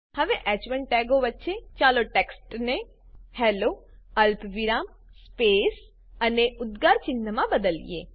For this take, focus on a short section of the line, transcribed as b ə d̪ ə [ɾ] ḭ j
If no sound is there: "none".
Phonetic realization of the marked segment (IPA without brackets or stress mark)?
l